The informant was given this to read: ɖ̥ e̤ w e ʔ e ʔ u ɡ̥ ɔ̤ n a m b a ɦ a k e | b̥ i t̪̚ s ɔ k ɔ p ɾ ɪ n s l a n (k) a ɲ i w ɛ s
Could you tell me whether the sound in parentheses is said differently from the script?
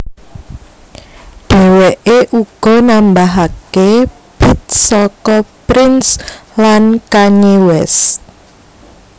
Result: no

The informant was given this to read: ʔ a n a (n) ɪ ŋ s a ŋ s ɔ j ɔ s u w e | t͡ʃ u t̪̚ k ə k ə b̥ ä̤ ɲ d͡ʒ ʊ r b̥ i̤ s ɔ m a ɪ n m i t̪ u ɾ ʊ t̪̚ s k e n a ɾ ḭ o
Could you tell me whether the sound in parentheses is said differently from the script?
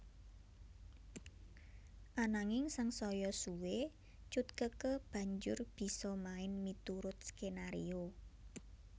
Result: yes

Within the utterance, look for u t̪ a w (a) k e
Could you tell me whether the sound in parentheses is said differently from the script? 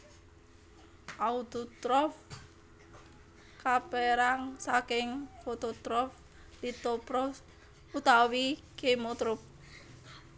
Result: yes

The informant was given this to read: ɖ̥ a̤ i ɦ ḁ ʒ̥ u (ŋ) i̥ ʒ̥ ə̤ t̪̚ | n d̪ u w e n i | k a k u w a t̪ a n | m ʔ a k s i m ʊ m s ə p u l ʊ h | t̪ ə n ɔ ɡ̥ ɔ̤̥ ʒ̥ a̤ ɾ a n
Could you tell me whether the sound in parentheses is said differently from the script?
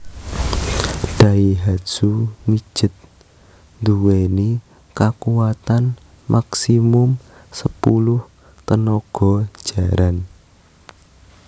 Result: yes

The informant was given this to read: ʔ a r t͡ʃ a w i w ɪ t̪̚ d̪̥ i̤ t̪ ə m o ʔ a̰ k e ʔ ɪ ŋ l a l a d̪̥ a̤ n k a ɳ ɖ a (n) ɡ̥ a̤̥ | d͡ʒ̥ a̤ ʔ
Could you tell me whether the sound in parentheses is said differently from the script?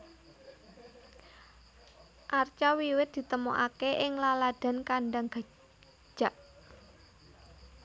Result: yes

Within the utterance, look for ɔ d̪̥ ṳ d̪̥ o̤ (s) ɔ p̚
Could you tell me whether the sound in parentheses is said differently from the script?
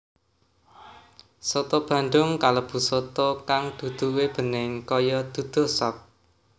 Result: no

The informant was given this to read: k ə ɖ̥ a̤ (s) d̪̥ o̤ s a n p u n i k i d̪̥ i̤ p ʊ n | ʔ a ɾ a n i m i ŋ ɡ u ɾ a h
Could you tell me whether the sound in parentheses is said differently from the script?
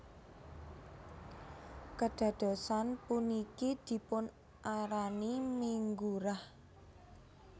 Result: yes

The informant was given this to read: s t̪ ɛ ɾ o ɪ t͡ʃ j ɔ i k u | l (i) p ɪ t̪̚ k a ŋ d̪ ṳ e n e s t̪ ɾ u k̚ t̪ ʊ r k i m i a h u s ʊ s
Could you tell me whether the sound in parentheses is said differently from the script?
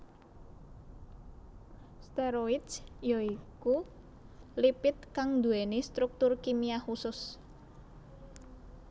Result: no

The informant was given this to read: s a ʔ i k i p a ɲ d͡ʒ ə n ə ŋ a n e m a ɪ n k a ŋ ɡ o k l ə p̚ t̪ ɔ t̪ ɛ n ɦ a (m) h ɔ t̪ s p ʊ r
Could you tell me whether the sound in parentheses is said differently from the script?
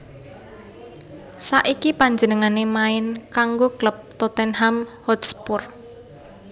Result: no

